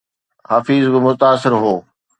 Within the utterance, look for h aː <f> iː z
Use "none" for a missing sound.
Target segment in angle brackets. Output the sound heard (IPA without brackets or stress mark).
f